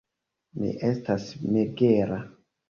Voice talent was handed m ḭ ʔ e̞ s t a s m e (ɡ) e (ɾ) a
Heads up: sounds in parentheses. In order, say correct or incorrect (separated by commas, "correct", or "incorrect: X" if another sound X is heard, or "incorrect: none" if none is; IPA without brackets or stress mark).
correct, correct